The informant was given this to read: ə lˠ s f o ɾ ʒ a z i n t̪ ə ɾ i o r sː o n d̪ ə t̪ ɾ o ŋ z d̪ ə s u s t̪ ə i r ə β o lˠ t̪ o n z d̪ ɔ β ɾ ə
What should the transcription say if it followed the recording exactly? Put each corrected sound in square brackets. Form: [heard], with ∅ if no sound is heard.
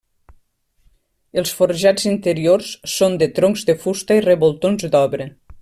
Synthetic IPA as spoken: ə lˠ s f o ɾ ʒ a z i n t̪ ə ɾ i o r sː o n d̪ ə t̪ ɾ o ŋ z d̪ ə [f] u s t̪ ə i r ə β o lˠ t̪ o n z d̪ ɔ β ɾ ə